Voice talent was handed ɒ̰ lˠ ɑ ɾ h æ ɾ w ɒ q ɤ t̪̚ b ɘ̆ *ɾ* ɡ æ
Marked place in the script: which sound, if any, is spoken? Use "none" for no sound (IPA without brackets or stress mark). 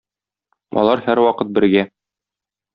ɾ